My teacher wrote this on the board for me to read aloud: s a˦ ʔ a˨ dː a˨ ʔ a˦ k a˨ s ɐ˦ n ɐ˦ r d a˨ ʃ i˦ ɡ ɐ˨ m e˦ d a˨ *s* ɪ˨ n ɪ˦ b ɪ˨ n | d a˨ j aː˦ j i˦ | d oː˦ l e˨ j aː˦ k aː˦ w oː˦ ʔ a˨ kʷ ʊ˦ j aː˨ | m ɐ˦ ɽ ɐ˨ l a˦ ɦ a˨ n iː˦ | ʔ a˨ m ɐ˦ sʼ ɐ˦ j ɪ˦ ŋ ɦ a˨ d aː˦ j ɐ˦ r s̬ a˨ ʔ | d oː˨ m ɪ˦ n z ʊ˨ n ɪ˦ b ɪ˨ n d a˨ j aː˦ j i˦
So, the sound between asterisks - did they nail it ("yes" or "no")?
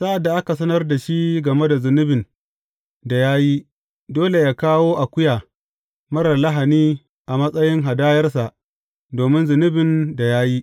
no